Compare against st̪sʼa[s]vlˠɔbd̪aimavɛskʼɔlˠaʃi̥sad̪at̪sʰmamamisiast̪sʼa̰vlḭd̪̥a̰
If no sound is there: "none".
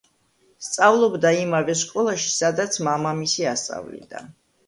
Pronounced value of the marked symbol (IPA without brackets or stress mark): none